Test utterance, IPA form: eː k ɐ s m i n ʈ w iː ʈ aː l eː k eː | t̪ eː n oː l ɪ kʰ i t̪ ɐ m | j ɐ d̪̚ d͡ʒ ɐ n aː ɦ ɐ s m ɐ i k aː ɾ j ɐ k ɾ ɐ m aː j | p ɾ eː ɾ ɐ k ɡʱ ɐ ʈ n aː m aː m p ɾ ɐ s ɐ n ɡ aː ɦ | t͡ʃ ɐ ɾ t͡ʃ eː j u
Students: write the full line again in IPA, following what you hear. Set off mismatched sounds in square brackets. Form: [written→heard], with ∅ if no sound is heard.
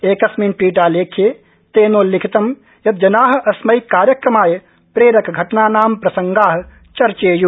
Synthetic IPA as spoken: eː k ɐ s m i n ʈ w iː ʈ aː l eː [k→kʰ] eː | t̪ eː n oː l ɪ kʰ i t̪ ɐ m | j ɐ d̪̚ d͡ʒ ɐ n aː ɦ ɐ s m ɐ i k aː ɾ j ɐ k ɾ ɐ m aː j | p ɾ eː ɾ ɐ k ɡʱ ɐ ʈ n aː [m→n] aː m p ɾ ɐ s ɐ [n→ŋ] ɡ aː ɦ | t͡ʃ ɐ ɾ t͡ʃ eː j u